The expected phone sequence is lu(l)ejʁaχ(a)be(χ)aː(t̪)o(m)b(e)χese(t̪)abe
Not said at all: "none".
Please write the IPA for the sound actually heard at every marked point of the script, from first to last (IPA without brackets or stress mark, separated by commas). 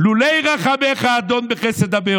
l, a, χ, d̪, n, e, d̪